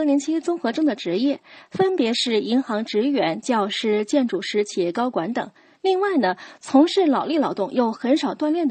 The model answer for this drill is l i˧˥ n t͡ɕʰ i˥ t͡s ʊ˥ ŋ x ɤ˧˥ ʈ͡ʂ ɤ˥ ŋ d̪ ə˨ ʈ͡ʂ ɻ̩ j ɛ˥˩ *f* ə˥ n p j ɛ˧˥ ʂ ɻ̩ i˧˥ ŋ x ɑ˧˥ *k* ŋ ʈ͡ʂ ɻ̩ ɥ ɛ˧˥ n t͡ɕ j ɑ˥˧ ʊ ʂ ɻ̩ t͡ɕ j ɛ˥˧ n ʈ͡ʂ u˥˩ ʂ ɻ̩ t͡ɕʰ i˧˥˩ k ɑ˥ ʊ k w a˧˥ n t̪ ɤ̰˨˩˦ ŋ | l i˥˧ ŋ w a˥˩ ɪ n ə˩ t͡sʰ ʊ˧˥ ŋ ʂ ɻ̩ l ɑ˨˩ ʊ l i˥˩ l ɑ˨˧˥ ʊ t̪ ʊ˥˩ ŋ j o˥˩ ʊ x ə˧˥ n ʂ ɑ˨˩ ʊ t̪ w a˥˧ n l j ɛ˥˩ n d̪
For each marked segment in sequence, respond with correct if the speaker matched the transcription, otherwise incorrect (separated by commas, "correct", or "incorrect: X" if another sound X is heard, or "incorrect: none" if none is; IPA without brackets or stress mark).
correct, incorrect: none